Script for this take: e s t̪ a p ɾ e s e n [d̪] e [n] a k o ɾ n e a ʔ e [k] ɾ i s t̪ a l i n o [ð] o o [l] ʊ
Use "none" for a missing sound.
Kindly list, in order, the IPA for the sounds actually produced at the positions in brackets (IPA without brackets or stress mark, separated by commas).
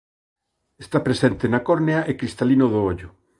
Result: t̪, n, k, ð, ʎ